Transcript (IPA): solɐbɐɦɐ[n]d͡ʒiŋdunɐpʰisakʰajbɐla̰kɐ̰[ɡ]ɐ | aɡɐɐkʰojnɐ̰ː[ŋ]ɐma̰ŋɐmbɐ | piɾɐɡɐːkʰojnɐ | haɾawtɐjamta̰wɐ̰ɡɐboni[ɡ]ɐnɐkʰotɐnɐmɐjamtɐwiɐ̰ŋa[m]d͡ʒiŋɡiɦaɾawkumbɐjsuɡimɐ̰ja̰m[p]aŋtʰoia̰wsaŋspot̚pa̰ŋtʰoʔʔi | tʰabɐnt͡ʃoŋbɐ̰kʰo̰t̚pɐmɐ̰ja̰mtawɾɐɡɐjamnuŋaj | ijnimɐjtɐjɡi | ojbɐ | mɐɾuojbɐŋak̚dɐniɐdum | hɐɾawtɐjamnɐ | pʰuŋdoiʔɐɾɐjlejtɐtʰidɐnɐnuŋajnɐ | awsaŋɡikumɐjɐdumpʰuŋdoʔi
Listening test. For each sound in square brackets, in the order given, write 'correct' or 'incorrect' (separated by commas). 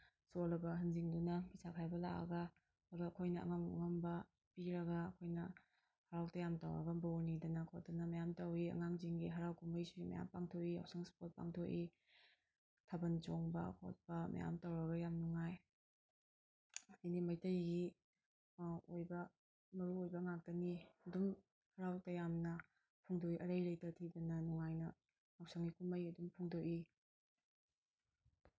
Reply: correct, correct, correct, incorrect, incorrect, correct